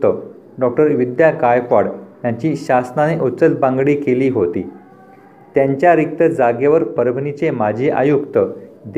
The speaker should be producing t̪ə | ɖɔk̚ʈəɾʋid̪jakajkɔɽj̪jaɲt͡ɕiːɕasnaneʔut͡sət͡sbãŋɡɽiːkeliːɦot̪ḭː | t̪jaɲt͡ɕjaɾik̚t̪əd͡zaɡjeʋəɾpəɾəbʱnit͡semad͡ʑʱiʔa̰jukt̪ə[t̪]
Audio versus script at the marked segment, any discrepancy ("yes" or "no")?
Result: yes